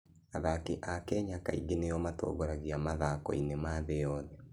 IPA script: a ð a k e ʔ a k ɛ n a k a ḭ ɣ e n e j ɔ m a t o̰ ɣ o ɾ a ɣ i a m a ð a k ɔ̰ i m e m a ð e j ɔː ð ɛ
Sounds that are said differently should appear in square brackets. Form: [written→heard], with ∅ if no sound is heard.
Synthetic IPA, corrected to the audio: a ð a k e ʔ a k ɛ [n→ɲ] a k a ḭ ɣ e n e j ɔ m a t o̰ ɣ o ɾ a ɣ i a m a ð a k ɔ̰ i [m→n] e m a ð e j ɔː ð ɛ